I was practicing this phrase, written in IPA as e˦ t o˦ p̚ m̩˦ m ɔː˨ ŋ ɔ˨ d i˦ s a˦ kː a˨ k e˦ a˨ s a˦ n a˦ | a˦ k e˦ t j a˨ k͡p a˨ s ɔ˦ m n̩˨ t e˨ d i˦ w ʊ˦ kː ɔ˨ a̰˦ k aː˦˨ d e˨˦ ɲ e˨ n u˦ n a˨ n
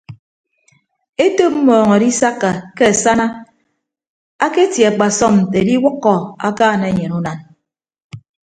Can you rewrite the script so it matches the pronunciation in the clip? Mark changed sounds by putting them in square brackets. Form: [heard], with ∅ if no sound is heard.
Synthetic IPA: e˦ t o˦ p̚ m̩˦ m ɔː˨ ŋ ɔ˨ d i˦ s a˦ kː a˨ k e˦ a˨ s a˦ n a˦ | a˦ k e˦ t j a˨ k͡p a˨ s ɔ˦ m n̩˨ t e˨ d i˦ w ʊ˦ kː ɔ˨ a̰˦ k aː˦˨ [n] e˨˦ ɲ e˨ n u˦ n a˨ n